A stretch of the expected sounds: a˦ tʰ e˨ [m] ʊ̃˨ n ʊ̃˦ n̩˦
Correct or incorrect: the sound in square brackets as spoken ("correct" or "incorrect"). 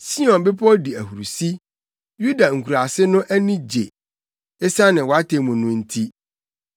correct